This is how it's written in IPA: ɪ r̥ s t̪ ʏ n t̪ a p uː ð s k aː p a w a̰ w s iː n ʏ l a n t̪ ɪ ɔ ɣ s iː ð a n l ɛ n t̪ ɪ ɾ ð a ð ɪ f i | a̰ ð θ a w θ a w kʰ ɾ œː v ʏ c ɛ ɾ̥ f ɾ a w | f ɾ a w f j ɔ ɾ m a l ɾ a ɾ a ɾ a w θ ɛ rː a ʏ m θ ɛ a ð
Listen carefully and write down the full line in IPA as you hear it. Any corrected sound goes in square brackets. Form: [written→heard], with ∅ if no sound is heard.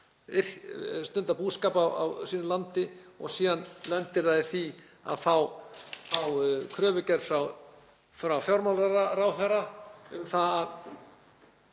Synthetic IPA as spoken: ɪ r̥ s t̪ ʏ n t̪ a p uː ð s k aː p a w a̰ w s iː n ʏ l a n t̪ ɪ ɔ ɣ s iː ð a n l ɛ n t̪ ɪ ɾ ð a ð ɪ [f→θ] i | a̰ ð θ a w θ a w kʰ ɾ œː v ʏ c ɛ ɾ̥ f ɾ a w | f ɾ a w f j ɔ ɾ m a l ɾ a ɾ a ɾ a w θ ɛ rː a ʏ m θ [ɛ→a] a ð